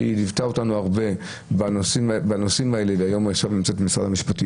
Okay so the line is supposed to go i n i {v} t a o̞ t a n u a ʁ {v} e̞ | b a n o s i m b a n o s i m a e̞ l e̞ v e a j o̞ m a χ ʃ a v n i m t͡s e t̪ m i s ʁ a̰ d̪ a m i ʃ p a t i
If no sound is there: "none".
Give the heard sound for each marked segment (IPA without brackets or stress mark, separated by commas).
v, b